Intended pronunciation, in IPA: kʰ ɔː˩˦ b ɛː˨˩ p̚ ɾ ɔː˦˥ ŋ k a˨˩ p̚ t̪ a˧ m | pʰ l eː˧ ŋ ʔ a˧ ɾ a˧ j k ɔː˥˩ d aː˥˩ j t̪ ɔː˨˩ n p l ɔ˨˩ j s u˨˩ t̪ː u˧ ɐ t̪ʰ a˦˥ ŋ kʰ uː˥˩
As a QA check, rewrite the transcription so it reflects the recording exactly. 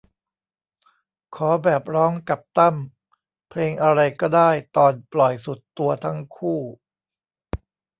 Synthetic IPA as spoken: kʰ ɔː˩˦ b ɛː˨˩ p̚ ɾ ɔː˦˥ ŋ k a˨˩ p̚ t̪ a˥˩ m | pʰ l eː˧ ŋ ʔ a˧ ɾ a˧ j k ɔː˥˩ d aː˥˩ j t̪ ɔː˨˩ n p l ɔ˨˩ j s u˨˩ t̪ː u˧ ɐ t̪ʰ a˦˥ ŋ kʰ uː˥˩

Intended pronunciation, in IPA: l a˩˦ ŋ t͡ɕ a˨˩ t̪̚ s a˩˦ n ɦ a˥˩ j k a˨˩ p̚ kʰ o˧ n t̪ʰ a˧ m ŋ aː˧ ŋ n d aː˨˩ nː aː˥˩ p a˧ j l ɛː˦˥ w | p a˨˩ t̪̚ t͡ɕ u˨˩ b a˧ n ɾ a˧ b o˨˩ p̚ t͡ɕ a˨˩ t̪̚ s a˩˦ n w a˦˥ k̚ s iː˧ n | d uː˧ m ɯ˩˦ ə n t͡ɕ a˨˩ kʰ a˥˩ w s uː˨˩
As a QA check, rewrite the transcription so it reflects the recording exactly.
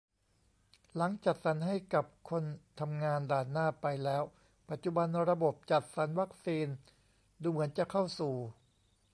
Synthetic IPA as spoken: l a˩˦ ŋ t͡ɕ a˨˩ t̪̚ s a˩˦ n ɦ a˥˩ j k a˨˩ p̚ kʰ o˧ n t̪ʰ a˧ m ŋ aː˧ n d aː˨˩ nː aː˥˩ p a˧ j l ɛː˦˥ w | p a˨˩ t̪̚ t͡ɕ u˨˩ b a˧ n ɾ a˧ b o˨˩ p̚ t͡ɕ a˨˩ t̪̚ s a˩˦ n w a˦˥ k̚ s iː˧ n | d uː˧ m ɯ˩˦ ə n t͡ɕ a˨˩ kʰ a˥˩ w s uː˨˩

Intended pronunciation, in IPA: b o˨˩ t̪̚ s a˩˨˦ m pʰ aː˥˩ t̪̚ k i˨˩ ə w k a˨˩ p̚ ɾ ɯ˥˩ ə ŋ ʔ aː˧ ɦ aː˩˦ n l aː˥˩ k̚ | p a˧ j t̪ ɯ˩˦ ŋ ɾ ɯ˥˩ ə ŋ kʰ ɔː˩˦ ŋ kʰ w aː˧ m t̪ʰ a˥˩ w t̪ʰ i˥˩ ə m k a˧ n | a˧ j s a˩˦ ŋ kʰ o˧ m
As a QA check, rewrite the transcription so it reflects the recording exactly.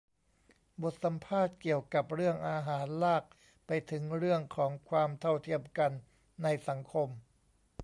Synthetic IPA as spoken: b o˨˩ t̪̚ s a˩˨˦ m pʰ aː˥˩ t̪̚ k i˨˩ ə w k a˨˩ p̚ ɾ ɯ˥˩ ə ŋ ʔ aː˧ ɦ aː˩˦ n l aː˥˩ k̚ | p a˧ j t̪ʰ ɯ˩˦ ŋ ɾ ɯ˥˩ ə ŋ kʰ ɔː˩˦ ŋ kʰ w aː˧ m t̪ʰ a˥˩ w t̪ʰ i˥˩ ə m k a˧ nː | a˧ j s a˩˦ ŋ kʰ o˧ m

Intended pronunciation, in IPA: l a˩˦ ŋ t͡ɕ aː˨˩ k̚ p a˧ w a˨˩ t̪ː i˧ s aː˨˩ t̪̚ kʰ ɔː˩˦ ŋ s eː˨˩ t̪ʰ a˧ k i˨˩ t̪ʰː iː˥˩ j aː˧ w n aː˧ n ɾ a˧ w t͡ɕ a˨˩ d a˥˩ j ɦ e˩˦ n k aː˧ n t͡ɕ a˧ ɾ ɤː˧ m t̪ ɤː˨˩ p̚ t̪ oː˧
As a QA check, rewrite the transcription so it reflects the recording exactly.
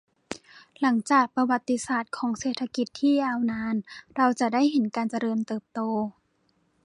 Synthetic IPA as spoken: l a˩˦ ŋ t͡ɕ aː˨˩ k̚ p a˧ w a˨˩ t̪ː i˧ s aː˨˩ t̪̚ kʰ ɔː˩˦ ŋ s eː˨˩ t̪ʰ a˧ k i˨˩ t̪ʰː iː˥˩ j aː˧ w n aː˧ n ɾ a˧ w t͡ɕ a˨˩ d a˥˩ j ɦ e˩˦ n k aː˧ n t͡ɕ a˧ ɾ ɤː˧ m t̪ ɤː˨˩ p̚ t̪ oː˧

